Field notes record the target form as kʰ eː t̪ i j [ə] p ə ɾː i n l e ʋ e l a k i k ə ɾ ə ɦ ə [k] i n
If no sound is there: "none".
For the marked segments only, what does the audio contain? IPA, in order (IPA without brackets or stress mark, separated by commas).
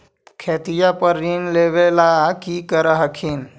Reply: a, kʰ